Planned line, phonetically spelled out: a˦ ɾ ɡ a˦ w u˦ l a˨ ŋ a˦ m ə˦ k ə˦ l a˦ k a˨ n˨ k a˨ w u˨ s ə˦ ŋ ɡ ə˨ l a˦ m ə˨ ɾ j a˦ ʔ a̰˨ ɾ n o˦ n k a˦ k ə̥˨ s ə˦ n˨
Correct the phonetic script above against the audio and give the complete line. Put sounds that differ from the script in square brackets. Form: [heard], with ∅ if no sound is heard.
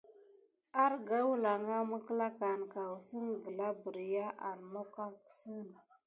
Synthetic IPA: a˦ ɾ ɡ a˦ w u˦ l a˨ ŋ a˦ m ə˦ k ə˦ l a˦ k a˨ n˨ k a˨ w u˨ s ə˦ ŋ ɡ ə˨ l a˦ [b] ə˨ ɾ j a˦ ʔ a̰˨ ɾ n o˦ [∅] k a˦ k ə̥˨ s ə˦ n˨